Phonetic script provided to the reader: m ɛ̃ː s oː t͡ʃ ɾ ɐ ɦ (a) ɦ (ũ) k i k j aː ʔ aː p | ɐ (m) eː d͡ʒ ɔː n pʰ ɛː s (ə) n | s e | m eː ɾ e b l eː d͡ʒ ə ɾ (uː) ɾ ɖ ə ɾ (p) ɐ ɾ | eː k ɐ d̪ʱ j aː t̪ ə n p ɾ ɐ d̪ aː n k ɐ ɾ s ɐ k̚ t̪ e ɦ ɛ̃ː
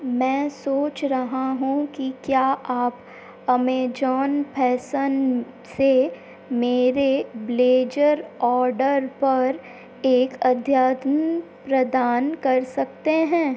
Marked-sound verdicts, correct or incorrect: correct, correct, correct, correct, incorrect: ɔː, correct

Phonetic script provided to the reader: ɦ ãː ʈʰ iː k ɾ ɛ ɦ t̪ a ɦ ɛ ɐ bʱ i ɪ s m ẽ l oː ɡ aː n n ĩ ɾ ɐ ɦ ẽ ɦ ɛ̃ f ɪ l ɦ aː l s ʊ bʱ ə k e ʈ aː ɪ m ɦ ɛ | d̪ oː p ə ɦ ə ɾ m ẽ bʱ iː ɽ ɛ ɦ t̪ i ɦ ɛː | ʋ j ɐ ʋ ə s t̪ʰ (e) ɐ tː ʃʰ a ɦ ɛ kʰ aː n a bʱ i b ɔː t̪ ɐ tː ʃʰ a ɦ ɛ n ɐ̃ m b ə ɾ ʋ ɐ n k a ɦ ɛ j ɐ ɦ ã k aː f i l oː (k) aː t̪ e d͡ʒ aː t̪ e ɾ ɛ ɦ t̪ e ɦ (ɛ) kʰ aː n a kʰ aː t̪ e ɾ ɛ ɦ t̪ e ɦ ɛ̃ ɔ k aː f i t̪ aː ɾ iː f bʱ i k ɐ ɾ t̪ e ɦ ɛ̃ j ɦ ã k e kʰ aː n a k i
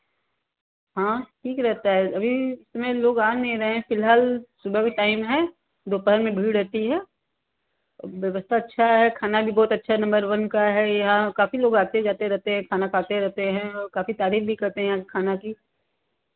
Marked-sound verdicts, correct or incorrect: incorrect: a, incorrect: ɡ, incorrect: ɛ̃

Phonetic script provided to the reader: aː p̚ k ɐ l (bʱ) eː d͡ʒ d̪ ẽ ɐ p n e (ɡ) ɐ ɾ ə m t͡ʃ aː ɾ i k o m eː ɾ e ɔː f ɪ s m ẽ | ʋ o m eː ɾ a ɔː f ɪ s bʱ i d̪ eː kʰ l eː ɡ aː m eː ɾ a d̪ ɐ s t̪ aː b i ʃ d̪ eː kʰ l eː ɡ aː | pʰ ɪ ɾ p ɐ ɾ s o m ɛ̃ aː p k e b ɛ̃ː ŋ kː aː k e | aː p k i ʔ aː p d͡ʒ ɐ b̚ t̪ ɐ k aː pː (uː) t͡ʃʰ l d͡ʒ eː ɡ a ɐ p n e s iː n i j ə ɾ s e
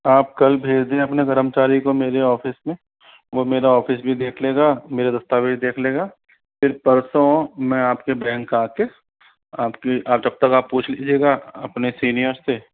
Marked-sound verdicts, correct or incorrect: correct, correct, correct

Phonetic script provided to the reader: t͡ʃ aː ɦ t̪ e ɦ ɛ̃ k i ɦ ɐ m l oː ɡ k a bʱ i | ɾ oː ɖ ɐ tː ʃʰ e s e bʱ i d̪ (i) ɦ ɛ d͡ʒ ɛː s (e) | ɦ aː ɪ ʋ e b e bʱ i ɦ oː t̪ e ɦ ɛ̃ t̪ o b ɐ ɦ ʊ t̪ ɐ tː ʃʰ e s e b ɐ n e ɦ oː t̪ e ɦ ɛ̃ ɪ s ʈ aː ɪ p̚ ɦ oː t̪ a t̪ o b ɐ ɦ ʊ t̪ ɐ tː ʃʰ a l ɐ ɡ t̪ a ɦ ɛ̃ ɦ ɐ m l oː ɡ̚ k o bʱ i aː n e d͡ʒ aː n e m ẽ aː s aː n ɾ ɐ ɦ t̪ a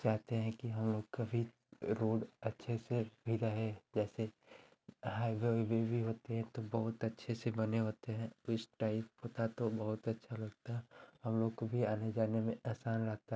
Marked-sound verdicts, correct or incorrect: incorrect: a, correct

